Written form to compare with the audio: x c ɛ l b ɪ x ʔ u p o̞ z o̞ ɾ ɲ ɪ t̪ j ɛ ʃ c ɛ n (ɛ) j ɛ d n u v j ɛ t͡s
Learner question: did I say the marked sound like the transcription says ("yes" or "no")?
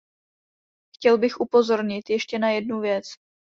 no